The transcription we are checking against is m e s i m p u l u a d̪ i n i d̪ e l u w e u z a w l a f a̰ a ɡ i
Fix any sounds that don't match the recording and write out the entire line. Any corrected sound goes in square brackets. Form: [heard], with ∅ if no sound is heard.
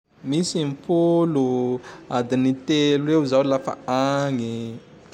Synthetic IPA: m [i] s i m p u l u a d̪ i n i [t̪] e l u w e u z a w l a f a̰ a [ŋ] i